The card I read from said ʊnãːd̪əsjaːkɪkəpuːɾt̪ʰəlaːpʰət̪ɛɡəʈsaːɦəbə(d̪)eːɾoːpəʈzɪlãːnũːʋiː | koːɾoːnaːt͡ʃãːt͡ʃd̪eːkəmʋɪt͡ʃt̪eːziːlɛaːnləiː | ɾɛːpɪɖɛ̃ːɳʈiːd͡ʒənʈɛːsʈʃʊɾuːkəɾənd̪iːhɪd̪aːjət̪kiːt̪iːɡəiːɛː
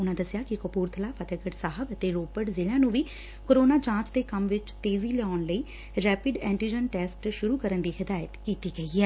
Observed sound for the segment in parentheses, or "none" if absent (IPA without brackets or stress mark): t̪